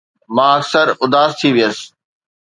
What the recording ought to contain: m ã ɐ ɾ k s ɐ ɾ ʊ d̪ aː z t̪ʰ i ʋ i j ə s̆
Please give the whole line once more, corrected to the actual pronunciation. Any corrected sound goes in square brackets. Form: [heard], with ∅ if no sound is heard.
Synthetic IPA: m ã ɐ [∅] k s [ə] ɾ ʊ d̪ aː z t̪ʰ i ʋ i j ə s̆